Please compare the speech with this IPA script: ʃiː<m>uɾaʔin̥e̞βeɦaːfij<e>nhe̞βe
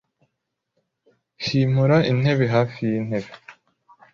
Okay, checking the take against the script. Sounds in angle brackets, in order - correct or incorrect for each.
correct, incorrect: i

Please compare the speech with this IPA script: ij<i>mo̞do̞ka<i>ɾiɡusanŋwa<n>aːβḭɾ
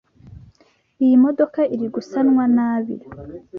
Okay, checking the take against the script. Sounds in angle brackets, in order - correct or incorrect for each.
correct, correct, correct

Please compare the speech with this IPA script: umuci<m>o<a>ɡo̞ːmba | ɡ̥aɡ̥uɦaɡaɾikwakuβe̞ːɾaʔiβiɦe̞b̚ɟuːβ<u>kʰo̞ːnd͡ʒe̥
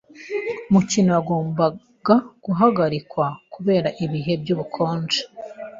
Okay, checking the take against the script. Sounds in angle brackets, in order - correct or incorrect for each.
incorrect: n, correct, correct

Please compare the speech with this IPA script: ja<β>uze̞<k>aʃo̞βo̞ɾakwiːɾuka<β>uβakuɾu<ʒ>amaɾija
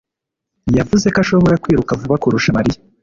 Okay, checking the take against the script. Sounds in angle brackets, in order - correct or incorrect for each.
incorrect: v, correct, incorrect: v, incorrect: ʃ

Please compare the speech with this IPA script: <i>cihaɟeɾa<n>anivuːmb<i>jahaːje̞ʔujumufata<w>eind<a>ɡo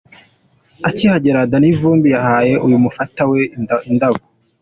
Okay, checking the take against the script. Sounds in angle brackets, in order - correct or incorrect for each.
incorrect: a, incorrect: d, correct, correct, correct

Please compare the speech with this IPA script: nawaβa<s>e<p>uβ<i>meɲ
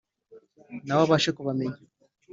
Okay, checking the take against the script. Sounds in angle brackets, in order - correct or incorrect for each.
incorrect: ʃ, incorrect: k, incorrect: a

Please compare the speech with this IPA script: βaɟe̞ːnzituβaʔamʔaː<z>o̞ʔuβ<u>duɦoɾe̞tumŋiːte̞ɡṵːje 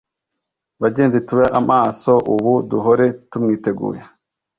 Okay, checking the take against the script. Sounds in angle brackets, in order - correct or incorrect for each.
incorrect: s, correct

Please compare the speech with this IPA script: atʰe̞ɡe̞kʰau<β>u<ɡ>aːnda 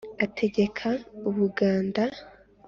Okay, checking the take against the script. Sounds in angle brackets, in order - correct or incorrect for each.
correct, correct

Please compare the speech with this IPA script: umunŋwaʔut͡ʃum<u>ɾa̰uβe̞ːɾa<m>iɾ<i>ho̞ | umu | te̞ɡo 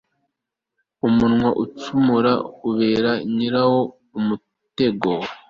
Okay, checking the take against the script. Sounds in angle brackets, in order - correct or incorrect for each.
correct, incorrect: ɲ, incorrect: a

